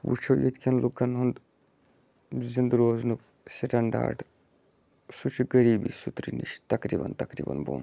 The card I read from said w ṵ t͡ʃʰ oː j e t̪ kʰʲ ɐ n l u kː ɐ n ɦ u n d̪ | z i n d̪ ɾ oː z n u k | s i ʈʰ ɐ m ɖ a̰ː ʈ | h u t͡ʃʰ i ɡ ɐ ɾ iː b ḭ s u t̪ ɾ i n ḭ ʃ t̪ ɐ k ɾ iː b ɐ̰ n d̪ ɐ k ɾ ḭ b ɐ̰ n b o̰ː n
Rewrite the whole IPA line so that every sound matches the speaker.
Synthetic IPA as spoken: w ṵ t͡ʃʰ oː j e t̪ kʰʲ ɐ n l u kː ɐ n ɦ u n d̪ | z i n d̪ ɾ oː z n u k | s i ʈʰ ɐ ɳ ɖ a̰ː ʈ | s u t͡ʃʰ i ɡ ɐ ɾ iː b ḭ s u t̪ ɾ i n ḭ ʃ t̪ ɐ k ɾ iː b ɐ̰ n t̪ ɐ k ɾ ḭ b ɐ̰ n b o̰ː n